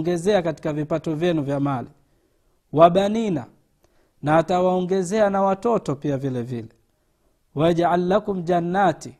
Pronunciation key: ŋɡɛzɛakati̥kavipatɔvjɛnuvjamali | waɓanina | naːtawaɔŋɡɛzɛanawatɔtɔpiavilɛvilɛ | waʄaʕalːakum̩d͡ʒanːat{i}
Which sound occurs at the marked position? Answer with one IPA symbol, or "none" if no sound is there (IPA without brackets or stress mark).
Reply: i